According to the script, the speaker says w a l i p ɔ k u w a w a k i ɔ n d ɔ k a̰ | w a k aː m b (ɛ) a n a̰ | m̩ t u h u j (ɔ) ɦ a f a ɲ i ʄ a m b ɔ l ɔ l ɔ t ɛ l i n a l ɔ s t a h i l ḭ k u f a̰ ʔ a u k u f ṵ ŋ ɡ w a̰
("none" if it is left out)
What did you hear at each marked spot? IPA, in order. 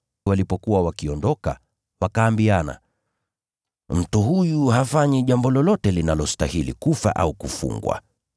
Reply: i, u

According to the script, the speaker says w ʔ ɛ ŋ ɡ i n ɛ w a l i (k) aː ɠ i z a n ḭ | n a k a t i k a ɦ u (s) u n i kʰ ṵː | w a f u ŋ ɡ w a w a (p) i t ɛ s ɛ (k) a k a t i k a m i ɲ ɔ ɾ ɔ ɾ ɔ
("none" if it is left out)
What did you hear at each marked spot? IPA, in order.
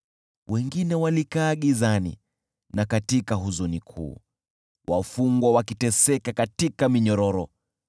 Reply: k, z, k, k

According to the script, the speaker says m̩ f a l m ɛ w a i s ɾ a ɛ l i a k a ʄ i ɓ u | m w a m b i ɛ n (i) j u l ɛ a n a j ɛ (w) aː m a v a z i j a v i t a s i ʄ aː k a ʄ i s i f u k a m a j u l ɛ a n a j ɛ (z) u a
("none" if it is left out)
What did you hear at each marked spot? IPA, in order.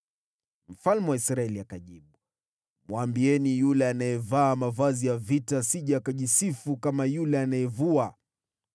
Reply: i, v, v

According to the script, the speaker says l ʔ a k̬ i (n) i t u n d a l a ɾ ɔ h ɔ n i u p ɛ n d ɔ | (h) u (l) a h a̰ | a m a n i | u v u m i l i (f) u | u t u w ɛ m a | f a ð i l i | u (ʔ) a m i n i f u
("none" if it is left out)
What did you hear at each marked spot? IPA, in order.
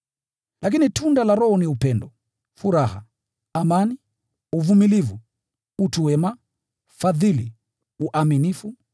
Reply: n, f, ɾ, v, ʔ

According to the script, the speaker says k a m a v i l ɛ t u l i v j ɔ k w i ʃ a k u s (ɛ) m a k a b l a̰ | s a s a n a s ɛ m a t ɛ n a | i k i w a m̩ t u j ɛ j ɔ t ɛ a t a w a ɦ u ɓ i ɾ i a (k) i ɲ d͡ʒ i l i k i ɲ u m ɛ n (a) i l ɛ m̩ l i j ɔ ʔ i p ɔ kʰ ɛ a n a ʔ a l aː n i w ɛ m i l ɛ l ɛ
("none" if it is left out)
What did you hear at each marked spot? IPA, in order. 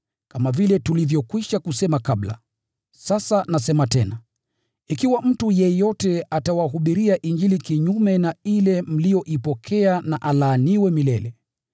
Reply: ɛ, ʔ, a

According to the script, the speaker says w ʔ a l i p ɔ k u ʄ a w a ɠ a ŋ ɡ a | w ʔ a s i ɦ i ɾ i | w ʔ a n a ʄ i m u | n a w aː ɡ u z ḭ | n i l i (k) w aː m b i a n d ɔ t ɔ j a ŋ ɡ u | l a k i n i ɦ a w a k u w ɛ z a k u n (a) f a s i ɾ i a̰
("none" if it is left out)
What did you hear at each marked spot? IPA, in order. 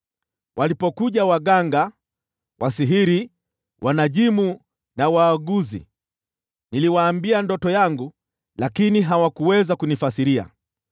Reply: none, i

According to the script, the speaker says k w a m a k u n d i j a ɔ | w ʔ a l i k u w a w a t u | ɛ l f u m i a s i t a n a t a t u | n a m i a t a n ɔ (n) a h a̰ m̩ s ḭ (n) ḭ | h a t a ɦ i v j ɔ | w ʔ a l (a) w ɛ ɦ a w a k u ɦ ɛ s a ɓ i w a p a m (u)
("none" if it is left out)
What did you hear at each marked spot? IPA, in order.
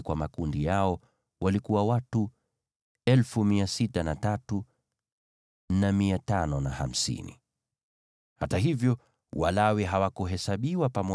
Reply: n, n, a, ɔ

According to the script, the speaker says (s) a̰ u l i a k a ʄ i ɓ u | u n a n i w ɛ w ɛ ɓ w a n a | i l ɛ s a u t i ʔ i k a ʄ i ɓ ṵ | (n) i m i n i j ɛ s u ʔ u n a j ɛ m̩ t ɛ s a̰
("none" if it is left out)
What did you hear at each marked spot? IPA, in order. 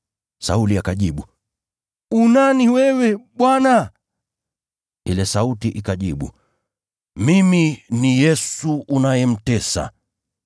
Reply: s, m

